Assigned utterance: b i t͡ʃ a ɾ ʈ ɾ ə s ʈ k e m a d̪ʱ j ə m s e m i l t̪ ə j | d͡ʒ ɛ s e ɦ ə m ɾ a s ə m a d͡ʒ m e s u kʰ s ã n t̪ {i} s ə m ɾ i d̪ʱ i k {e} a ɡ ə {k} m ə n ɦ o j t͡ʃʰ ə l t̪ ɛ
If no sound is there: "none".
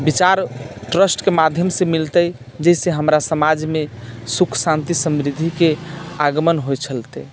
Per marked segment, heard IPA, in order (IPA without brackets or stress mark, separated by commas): i, e, none